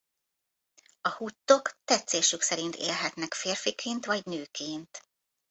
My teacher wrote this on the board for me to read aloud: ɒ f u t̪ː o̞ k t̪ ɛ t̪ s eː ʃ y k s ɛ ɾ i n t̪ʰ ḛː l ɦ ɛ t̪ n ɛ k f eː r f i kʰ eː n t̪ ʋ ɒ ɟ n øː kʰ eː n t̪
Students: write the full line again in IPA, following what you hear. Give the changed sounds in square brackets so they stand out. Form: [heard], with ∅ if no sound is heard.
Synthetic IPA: ɒ [h] u t̪ː o̞ k t̪ ɛ t̪ s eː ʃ y k s ɛ ɾ i n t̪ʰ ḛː l ɦ ɛ t̪ n ɛ k f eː r f i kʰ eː n t̪ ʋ ɒ ɟ n øː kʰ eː n t̪